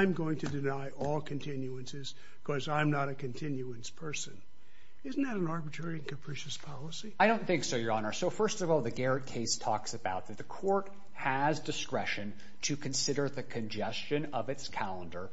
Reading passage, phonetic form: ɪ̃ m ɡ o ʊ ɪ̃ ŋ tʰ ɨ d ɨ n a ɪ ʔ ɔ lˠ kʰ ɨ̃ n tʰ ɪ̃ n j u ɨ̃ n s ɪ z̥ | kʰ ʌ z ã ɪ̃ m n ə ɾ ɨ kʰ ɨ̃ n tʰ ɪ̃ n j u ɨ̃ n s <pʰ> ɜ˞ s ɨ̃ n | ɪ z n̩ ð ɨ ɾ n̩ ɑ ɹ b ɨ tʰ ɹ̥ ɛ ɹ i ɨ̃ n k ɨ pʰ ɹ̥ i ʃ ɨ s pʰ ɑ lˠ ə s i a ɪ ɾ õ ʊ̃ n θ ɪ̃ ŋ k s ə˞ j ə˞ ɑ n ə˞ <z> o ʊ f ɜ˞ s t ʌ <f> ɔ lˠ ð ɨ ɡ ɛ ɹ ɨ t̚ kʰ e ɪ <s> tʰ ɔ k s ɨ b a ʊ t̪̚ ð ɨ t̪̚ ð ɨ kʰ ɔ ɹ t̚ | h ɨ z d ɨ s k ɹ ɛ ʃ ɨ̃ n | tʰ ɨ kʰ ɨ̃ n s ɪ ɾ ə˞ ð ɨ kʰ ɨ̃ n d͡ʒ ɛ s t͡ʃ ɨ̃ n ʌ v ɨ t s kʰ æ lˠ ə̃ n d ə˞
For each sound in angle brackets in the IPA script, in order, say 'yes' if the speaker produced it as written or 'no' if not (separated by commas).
yes, no, no, yes